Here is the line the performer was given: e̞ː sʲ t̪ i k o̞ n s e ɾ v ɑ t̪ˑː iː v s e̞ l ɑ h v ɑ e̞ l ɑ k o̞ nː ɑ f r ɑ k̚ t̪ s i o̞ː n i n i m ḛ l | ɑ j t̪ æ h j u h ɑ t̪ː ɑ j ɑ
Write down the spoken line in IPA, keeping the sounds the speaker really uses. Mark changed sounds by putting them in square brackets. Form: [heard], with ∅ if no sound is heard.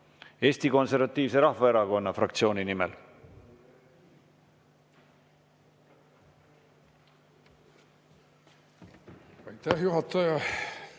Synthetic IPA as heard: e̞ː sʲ t̪ i k o̞ n s e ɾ v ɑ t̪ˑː iː v s e̞ [ɾ] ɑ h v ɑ e̞ [ɾ] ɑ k o̞ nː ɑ f r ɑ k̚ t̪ s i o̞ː n i n i m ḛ l | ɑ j t̪ æ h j u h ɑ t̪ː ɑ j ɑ